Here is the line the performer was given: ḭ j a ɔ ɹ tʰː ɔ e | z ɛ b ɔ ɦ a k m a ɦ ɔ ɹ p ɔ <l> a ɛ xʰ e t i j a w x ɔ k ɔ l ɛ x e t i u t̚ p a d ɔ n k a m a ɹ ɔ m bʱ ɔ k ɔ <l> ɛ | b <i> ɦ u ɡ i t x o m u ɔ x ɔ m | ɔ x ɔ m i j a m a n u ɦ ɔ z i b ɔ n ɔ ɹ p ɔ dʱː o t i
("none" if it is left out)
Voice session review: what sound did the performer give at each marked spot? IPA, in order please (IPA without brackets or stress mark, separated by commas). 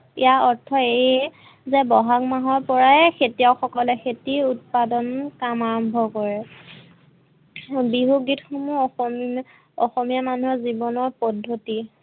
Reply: ɹ, ɹ, i